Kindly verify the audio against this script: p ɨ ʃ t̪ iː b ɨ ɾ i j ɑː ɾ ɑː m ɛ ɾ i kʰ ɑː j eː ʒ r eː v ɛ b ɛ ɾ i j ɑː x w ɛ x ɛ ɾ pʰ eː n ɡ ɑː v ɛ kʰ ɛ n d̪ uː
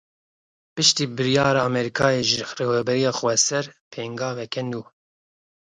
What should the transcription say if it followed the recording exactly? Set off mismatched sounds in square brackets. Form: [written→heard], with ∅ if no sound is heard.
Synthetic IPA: p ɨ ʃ t̪ iː b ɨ ɾ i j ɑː ɾ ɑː m ɛ ɾ i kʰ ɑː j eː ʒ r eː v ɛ b ɛ ɾ i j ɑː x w ɛ [x→s] ɛ ɾ pʰ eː [n→ŋ] ɡ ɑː v ɛ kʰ ɛ n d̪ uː